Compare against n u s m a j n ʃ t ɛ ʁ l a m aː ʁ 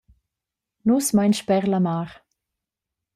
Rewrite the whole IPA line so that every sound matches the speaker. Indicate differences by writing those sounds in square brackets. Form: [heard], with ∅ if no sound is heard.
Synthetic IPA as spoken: n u s m a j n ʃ [p] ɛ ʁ l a m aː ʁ